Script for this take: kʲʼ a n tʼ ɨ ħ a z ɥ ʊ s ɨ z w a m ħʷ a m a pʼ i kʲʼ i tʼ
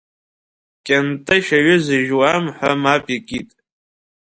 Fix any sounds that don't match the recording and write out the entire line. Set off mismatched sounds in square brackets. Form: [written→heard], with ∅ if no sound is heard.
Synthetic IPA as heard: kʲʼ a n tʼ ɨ [ħ→ʃ] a [z→∅] ɥ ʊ [s→z] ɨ [z→ʒ] w a m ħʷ a m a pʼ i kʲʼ i tʼ